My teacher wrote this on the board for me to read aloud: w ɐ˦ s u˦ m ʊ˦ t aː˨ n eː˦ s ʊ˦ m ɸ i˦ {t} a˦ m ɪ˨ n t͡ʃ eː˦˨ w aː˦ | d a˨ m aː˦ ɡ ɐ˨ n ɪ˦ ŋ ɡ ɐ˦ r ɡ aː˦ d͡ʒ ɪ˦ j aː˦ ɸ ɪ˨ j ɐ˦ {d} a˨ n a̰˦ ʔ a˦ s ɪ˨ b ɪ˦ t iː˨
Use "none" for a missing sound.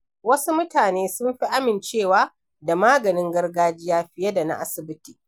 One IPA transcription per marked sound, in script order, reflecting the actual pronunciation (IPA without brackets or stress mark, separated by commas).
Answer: ʔ, d